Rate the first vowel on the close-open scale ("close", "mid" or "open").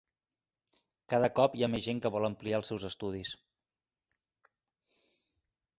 open